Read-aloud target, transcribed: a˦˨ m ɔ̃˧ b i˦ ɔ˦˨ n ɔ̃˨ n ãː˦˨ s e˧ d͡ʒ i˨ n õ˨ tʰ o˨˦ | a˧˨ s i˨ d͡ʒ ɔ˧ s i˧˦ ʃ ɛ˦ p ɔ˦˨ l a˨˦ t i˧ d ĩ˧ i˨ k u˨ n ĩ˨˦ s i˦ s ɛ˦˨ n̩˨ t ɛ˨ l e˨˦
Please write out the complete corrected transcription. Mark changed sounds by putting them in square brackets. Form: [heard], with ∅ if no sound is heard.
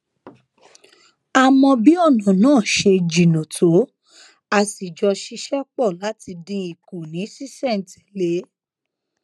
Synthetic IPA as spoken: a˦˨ m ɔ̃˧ b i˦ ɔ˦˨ n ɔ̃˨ n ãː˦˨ [ʃ] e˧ d͡ʒ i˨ n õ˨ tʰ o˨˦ | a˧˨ s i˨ d͡ʒ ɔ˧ [ʃ] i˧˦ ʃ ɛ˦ [k͡p] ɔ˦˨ l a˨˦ t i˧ d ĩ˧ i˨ k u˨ n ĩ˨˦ s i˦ s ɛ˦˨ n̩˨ t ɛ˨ l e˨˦